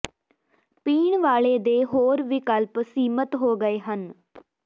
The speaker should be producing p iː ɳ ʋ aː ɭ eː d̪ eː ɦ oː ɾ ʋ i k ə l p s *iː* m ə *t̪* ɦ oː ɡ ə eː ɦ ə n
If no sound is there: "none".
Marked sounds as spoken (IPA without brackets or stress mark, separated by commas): iː, t̪